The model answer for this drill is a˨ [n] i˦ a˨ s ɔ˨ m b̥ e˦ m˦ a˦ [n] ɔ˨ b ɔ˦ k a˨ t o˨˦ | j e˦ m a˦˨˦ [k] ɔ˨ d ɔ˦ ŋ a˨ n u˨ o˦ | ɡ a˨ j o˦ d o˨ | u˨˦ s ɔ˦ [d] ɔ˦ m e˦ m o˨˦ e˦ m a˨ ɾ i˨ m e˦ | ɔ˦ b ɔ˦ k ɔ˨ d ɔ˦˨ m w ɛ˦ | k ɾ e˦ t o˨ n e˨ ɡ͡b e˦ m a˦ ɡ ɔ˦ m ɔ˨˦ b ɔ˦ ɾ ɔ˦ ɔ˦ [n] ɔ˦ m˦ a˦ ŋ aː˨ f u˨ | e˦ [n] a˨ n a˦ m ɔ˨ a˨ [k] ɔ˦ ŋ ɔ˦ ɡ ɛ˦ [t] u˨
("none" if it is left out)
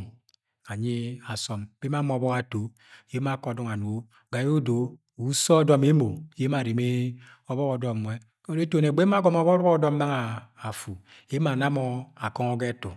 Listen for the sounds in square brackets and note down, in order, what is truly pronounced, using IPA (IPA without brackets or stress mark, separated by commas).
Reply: ɲ, m, k, d, d, m, k, t